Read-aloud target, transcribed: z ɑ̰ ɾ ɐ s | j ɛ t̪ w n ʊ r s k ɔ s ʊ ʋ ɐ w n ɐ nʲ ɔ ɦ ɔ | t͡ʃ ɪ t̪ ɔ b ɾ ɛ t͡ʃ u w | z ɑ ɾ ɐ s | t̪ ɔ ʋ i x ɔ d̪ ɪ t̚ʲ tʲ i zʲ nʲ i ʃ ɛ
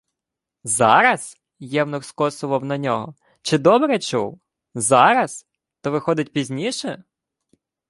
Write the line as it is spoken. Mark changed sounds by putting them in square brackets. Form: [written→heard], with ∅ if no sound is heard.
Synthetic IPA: z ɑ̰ ɾ ɐ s | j ɛ [t̪→∅] w n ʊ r s k ɔ s ʊ ʋ ɐ w n ɐ nʲ ɔ ɦ ɔ | t͡ʃ ɪ [t̪→d̪] ɔ b ɾ ɛ t͡ʃ u w | z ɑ ɾ ɐ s | t̪ ɔ ʋ [i→ɪ] x ɔ d̪ ɪ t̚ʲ [tʲ→pʲ] i zʲ nʲ i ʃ ɛ